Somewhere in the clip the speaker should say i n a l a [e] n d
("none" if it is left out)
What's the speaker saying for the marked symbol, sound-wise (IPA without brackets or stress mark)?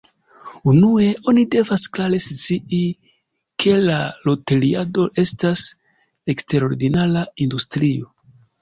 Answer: i